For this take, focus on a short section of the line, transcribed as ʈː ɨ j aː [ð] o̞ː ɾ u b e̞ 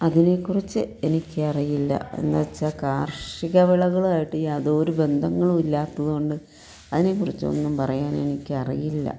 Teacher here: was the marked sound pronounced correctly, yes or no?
yes